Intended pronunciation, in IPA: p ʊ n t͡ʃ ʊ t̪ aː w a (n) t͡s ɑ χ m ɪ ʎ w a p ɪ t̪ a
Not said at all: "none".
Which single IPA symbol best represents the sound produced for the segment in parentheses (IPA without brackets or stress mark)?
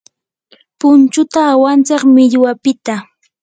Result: n